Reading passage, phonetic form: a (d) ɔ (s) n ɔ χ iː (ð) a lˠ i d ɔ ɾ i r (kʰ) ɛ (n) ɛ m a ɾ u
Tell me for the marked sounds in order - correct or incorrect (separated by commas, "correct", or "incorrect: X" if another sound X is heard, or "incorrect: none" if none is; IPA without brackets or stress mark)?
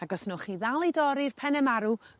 incorrect: ɡ, correct, correct, incorrect: pʰ, correct